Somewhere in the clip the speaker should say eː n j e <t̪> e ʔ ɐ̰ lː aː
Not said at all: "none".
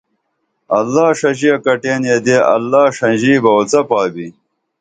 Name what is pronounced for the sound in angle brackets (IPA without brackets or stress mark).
d̪